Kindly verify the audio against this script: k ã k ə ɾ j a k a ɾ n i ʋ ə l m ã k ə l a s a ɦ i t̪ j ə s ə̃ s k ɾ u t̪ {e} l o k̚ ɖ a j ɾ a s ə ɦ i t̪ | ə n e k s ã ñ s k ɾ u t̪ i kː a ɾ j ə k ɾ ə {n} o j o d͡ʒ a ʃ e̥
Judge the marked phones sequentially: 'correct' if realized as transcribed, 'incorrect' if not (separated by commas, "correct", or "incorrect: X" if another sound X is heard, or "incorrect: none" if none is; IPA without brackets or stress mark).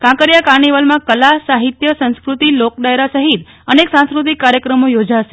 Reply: incorrect: i, incorrect: m